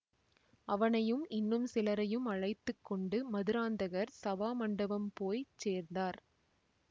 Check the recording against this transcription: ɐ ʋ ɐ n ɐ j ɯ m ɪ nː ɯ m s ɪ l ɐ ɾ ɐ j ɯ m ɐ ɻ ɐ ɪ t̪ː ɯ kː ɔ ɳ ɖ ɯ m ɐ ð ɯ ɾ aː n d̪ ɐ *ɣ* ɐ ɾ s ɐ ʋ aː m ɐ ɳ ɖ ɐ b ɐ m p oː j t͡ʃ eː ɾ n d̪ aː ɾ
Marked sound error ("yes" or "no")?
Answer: no